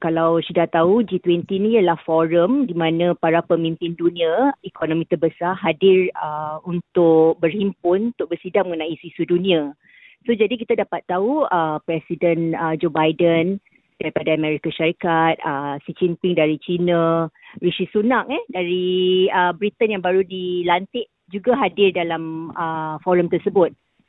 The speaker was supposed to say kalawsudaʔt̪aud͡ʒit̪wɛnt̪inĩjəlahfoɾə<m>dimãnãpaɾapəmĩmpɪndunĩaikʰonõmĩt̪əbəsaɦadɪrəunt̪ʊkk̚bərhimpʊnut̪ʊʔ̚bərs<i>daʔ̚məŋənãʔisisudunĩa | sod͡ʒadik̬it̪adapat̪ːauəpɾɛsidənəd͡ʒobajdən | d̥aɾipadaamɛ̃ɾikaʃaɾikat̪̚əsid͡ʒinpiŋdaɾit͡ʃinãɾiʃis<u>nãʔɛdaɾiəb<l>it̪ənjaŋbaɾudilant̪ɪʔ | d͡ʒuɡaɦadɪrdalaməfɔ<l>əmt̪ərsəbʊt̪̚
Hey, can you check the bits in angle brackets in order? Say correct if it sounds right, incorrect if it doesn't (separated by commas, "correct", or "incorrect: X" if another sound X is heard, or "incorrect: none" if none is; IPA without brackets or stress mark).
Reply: correct, correct, correct, incorrect: ɾ, incorrect: ɾ